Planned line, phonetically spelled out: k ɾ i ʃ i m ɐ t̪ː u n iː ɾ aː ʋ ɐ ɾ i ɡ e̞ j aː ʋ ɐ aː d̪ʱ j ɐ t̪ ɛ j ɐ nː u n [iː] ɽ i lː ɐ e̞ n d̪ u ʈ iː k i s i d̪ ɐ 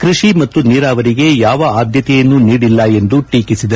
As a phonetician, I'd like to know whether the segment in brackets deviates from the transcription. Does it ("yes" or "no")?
no